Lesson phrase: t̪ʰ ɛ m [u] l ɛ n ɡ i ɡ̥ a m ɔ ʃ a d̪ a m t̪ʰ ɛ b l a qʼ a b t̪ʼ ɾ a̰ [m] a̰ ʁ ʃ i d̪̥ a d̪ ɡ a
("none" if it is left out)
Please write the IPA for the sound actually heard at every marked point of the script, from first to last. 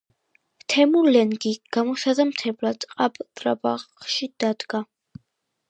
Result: u, b

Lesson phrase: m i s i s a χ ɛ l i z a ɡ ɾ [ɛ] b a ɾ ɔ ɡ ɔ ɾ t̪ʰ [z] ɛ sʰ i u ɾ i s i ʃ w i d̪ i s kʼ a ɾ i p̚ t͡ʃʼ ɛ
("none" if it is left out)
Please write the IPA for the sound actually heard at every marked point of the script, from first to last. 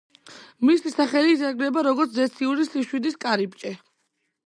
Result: ɛ, z

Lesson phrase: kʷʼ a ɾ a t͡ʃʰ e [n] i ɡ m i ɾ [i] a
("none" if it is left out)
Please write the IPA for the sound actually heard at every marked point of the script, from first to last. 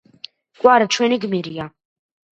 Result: n, j

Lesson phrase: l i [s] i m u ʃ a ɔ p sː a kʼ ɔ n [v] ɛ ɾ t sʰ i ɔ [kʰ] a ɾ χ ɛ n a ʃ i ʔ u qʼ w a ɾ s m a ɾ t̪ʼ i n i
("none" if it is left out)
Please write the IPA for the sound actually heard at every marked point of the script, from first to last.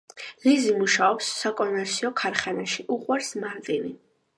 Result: z, v, kʰ

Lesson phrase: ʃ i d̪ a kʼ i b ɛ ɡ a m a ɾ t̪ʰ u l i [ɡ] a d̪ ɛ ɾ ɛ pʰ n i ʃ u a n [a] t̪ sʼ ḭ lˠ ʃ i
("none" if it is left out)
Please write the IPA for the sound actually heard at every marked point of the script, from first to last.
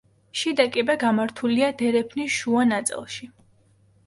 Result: none, a

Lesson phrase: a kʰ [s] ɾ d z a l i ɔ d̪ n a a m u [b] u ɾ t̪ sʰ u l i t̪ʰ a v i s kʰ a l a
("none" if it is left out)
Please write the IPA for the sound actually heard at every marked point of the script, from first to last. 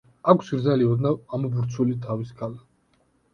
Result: s, b

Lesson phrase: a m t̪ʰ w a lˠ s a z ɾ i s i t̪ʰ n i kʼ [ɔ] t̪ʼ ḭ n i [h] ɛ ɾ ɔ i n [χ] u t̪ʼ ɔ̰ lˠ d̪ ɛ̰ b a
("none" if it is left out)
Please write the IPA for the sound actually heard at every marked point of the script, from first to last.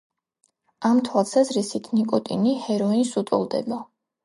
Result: ɔ, h, s

